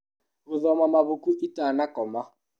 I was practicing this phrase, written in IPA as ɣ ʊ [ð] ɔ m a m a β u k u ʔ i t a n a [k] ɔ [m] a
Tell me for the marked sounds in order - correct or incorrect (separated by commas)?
correct, correct, correct